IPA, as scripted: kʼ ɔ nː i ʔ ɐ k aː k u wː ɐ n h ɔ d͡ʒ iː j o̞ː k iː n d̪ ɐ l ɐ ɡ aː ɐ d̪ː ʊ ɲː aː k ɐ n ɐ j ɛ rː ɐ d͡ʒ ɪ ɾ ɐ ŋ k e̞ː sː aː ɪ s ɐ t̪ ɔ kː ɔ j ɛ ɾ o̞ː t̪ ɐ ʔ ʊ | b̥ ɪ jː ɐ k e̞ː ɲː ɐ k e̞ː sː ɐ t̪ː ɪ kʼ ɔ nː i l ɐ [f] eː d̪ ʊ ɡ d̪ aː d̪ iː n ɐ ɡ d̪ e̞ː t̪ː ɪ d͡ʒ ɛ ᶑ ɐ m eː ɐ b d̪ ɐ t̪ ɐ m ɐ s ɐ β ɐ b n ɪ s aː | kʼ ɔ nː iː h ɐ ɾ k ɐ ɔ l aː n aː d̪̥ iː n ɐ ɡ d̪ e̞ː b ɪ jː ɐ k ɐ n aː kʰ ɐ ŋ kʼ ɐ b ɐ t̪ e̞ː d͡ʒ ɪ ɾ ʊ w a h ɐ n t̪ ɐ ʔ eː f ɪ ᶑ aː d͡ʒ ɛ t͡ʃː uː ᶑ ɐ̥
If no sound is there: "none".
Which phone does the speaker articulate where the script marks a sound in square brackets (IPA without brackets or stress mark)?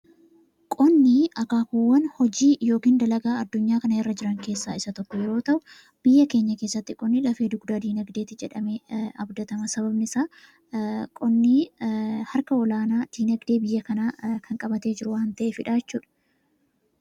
f